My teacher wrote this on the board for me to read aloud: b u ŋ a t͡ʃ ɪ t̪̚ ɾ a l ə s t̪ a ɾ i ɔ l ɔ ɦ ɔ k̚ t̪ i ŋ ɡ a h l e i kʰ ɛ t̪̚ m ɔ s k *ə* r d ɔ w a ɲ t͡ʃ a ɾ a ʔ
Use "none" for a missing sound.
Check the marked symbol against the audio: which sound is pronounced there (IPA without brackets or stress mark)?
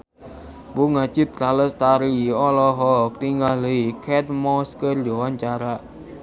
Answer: ə